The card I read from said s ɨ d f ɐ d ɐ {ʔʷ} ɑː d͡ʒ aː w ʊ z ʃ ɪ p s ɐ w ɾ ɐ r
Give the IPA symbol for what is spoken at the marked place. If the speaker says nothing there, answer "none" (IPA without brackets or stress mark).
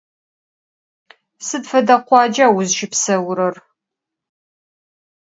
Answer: qʷ